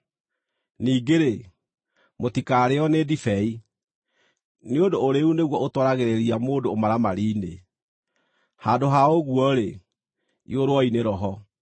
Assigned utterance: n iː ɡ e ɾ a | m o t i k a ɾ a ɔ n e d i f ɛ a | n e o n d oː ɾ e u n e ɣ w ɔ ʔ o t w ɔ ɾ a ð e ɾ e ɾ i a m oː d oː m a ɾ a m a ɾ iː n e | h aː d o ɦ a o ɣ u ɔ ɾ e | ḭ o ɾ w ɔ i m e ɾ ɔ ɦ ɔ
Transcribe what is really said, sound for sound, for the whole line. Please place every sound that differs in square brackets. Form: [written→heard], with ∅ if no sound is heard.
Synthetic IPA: n iː ɡ e ɾ [a→e] | m o t i k a ɾ [a→e] ɔ n e d i f ɛ [a→i] | n e o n d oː ɾ e u n e ɣ w ɔ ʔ o t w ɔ ɾ a [ð→ɣ] e ɾ e ɾ i a m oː d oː m a ɾ a m a ɾ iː n e | h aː d o ɦ a o ɣ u ɔ ɾ e | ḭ o ɾ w ɔ i [m→n] e ɾ ɔ ɦ ɔ